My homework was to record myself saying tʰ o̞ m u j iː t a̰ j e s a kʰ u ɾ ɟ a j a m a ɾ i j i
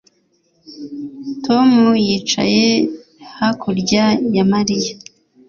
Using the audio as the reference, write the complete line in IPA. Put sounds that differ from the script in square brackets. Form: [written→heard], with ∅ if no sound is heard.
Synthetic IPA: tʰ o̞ m u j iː [t→t͡ʃ] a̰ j e [s→h] a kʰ u ɾ ɟ a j a m a ɾ i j [i→a]

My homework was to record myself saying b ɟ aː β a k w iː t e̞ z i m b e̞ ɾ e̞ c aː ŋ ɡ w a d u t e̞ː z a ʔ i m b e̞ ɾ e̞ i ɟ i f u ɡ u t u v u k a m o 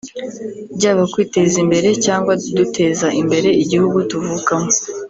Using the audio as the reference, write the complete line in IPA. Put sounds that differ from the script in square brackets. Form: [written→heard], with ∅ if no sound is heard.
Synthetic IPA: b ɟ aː β a k w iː t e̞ z i m b e̞ ɾ e̞ c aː ŋ ɡ w a d u t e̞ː z a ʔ i m b e̞ ɾ e̞ i ɟ i [f→h] u ɡ u t u v u k a m o

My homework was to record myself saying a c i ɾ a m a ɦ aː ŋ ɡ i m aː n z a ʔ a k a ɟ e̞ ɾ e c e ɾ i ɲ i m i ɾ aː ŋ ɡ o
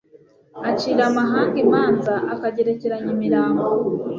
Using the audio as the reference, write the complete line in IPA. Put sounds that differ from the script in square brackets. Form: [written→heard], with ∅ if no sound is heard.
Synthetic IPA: a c i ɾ a m a ɦ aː ŋ ɡ i m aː n z a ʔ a k a ɟ e̞ ɾ e c e ɾ [i→a] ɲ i m i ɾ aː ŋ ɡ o

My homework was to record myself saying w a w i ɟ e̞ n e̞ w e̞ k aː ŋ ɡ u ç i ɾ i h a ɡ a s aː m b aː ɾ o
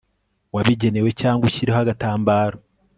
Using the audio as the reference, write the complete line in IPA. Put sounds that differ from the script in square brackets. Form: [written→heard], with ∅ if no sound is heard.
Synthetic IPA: w a [w→β] i ɟ e̞ n e̞ w e̞ [k→c] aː ŋ ɡ u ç i ɾ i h a ɡ a [s→t] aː m b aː ɾ o

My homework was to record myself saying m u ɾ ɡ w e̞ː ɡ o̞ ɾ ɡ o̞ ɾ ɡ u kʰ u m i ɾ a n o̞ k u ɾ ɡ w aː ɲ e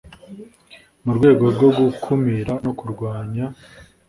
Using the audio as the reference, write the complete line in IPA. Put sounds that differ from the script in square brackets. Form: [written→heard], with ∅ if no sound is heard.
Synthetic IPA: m u ɾ ɡ w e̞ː ɡ o̞ ɾ ɡ o̞ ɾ ɡ u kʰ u m i ɾ a n o̞ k u ɾ ɡ w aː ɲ [e→a]

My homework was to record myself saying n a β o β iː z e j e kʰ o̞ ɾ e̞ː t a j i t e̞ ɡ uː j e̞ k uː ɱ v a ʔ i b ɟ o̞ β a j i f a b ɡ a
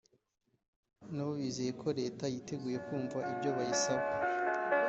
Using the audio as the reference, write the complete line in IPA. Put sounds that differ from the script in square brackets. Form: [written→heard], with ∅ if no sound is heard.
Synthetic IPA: n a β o β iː z e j e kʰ o̞ ɾ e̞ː t a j i t e̞ ɡ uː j e̞ k uː ɱ v a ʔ i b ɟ o̞ β a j i [f→s] a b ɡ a

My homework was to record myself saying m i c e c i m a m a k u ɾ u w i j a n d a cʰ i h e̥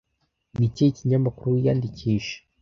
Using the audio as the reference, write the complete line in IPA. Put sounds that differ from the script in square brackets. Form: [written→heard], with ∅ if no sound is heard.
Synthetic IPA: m i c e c i [m→ɲ] a m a k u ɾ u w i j a n d [a→i] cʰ i [h→ʃ] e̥

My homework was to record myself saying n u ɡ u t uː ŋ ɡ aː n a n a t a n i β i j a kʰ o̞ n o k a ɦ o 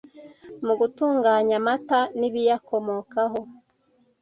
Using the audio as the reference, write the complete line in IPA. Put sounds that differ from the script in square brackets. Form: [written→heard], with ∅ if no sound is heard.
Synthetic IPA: [n→m] u ɡ u t uː ŋ ɡ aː [n→ɲ] a [n→m] a t a n i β i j a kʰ o̞ [n→m] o k a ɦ o

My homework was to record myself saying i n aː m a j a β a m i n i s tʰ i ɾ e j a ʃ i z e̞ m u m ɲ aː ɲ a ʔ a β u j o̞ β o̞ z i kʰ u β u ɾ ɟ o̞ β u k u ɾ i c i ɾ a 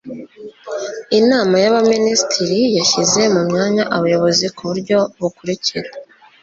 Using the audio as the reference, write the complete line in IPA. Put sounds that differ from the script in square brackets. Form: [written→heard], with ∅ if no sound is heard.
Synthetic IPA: i n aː m a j a β a m i n i s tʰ i ɾ [e→i] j a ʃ i z e̞ m u m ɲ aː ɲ a ʔ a β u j o̞ β o̞ z i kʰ u β u ɾ ɟ o̞ β u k u ɾ i c i ɾ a

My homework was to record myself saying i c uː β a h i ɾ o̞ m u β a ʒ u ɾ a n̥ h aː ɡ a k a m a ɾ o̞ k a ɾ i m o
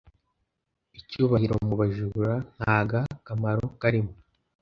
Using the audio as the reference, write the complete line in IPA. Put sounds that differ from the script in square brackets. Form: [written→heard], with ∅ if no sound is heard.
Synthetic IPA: i c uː β a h i ɾ o̞ m u β a ʒ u ɾ a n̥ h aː ɡ a k a m a ɾ o̞ k a ɾ i m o

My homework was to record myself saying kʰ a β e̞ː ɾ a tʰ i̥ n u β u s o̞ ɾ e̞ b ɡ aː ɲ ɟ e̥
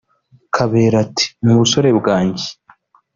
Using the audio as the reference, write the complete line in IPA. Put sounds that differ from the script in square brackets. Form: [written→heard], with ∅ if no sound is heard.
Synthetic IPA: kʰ a β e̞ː ɾ a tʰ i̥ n u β u s o̞ ɾ e̞ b ɡ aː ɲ ɟ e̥

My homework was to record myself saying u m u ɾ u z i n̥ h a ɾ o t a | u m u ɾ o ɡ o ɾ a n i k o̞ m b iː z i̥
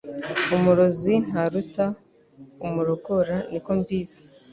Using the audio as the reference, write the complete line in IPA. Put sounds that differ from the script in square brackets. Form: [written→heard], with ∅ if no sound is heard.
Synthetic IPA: u m u ɾ [u→o] z i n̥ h a ɾ [o→u] t a | u m u ɾ o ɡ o ɾ a n i k o̞ m b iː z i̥

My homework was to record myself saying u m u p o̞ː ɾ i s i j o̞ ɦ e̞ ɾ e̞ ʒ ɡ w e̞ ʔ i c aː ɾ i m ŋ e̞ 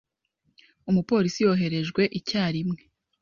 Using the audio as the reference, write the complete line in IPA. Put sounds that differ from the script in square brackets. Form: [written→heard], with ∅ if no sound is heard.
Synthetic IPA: u m u p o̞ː ɾ i s i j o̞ ɦ e̞ ɾ e̞ ʒ ɡ w e̞ ʔ i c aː ɾ i m ŋ e̞

